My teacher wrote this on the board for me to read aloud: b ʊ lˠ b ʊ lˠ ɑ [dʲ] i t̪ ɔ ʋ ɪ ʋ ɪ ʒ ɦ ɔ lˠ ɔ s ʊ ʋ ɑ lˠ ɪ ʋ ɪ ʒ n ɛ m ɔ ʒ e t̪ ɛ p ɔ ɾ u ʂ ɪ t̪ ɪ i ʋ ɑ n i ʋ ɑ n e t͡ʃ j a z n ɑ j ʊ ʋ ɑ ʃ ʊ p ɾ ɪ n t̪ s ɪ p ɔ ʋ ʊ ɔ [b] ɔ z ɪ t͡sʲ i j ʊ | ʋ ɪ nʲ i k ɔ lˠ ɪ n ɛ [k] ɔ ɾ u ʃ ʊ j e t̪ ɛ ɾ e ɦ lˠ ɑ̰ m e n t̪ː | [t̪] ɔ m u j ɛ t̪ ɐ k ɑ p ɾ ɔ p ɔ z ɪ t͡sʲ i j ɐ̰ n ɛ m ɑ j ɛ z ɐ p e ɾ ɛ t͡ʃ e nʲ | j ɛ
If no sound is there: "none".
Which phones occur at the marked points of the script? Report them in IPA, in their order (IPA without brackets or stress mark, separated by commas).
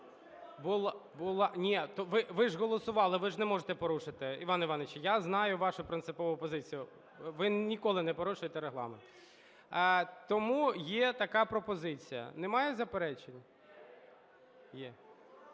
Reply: nʲ, p, p, t̪